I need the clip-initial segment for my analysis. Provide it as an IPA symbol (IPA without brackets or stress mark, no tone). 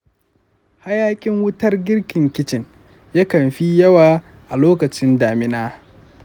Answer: h